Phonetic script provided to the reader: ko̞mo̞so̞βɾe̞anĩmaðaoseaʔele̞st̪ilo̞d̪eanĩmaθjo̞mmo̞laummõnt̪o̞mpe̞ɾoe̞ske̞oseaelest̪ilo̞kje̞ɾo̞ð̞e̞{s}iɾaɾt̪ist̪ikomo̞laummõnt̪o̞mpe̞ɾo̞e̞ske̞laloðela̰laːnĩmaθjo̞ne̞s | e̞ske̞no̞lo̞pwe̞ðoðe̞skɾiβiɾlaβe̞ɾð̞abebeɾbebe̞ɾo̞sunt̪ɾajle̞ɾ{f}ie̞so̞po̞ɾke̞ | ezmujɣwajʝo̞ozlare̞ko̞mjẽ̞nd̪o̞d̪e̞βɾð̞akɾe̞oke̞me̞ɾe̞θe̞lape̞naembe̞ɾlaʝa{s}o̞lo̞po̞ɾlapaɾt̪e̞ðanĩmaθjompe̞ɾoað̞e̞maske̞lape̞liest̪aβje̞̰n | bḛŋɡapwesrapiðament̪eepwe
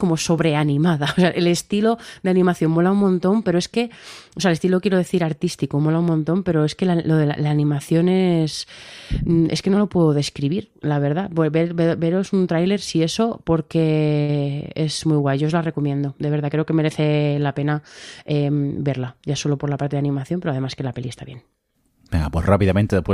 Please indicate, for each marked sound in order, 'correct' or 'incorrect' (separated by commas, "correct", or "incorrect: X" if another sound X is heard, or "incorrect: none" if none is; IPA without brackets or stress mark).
incorrect: θ, incorrect: s, correct